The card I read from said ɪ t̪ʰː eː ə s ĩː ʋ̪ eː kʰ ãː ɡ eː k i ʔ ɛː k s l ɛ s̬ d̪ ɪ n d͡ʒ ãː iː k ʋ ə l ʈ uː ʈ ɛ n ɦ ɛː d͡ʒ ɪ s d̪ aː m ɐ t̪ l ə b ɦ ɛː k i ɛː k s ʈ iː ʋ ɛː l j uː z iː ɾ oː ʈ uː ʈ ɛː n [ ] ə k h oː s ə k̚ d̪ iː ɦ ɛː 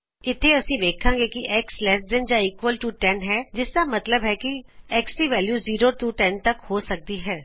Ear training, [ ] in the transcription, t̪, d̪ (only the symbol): t̪